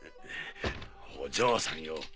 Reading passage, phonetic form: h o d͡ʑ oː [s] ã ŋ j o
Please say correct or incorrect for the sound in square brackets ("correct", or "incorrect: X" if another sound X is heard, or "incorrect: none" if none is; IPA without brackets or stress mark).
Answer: correct